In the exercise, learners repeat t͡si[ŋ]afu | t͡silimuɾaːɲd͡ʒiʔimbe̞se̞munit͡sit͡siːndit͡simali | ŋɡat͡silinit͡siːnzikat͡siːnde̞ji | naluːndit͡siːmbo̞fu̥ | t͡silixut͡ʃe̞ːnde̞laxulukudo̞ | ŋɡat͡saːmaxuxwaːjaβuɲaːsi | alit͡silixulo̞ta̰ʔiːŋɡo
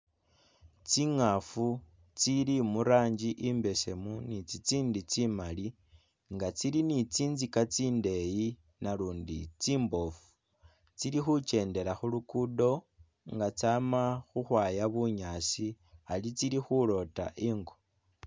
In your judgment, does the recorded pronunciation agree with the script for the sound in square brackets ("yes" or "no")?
yes